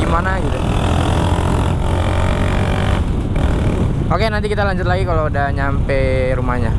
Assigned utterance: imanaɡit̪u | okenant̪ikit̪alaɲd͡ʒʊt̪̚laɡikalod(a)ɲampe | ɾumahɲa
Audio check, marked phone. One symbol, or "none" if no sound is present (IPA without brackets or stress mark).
a